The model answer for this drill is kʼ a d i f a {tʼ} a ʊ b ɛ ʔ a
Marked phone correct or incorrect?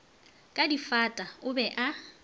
correct